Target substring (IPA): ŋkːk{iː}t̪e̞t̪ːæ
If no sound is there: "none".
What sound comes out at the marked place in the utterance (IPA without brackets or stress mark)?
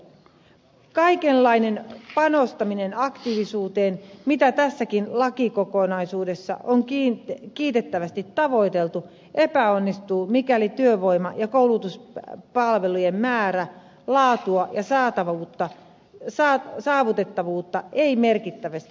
iː